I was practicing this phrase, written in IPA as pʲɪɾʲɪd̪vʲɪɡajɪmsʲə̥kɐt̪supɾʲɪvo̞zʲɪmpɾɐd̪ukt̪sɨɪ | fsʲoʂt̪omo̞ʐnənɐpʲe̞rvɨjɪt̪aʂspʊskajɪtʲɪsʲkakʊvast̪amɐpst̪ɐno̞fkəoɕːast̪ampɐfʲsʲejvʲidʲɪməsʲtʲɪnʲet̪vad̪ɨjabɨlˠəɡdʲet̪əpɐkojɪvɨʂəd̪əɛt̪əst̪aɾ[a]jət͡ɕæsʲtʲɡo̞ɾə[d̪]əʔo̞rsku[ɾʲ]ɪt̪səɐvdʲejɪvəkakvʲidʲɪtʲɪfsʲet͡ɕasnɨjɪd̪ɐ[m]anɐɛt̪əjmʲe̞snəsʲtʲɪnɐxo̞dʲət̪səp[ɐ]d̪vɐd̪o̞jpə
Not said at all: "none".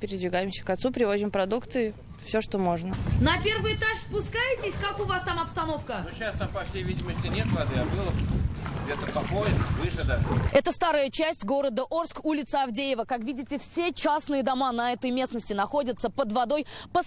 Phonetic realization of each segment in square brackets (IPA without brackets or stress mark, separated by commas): ə, d̪, lʲ, m, ə